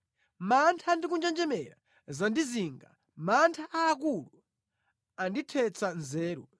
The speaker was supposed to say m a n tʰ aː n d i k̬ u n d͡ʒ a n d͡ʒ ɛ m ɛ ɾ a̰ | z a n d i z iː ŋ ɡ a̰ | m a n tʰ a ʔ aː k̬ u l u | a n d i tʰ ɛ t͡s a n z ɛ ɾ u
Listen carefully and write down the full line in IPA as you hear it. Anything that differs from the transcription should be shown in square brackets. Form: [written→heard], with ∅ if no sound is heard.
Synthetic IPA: m a n tʰ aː n d i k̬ u n d͡ʒ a n d͡ʒ ɛ m ɛ ɾ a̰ | z a n d i z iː ŋ ɡ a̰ | m a n tʰ a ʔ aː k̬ u l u | a n d i tʰ ɛ t͡s a n z [ɛ→ɛː] ɾ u